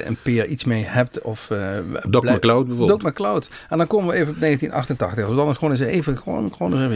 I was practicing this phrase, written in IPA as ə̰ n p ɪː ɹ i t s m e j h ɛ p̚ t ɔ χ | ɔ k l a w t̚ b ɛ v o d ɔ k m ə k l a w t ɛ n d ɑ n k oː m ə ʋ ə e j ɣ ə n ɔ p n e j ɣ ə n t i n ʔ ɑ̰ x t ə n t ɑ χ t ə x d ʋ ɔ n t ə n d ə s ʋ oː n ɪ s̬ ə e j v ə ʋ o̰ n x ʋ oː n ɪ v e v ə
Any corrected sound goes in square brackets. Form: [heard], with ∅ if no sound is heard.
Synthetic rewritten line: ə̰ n p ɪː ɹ i t s m e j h ɛ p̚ t ɔ [f] | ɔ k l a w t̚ b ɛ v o d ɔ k m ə k l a w t ɛ n d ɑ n k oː m ə ʋ ə e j [v] ə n ɔ p n e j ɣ ə n t i n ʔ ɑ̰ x t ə n t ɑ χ t ə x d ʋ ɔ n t [ɑ] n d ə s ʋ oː n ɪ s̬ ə e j v ə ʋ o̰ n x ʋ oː n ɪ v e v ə